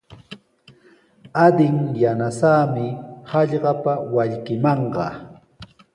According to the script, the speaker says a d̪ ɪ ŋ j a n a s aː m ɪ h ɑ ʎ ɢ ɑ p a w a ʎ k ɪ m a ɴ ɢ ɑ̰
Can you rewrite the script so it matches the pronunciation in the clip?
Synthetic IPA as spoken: a d̪ ɪ ŋ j a n a s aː m ɪ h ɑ ʎ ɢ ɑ p a w a ʎ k ɪ m ɑ ɴ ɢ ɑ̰